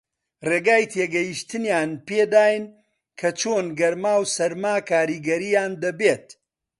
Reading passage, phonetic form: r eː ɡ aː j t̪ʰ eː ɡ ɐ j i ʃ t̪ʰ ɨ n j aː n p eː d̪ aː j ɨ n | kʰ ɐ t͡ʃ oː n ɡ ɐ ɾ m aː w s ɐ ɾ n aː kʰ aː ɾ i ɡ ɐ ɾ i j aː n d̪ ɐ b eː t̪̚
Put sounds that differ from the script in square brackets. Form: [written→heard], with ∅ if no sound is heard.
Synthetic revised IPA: r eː ɡ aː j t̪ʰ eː ɡ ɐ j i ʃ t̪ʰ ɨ n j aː n p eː d̪ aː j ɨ n | kʰ ɐ t͡ʃ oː n ɡ ɐ ɾ m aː w s ɐ ɾ [n→m] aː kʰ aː ɾ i ɡ ɐ ɾ i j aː n d̪ ɐ b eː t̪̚